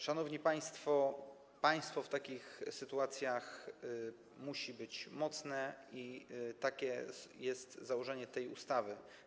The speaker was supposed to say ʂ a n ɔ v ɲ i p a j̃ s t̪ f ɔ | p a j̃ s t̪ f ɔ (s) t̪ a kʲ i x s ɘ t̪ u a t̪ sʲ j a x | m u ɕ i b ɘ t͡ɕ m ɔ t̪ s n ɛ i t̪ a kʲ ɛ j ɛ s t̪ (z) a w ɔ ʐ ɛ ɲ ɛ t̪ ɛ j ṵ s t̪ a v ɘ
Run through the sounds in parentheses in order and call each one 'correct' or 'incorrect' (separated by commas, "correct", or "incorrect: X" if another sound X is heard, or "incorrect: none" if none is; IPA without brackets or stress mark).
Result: incorrect: f, correct